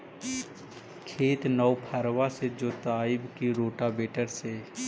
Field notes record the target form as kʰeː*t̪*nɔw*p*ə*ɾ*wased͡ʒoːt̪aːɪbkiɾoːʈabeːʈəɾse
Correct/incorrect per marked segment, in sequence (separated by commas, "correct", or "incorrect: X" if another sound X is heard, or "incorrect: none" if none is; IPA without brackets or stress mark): correct, incorrect: pʰ, correct